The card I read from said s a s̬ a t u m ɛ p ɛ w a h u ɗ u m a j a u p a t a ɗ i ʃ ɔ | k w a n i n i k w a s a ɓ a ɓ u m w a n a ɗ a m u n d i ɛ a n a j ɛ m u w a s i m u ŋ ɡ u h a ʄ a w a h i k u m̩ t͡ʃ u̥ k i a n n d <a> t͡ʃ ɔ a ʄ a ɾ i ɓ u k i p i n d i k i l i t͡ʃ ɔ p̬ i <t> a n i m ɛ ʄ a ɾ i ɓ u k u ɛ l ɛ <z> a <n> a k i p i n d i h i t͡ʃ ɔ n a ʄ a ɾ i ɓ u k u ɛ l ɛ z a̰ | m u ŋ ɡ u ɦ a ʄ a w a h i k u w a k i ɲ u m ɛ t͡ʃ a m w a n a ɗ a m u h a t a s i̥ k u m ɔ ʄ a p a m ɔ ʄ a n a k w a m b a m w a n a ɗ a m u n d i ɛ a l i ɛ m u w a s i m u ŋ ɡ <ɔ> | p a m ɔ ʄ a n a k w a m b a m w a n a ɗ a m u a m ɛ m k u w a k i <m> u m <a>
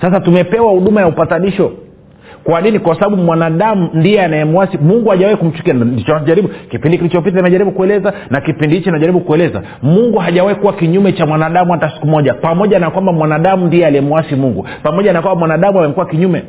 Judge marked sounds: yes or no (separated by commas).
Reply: no, yes, yes, yes, no, no, no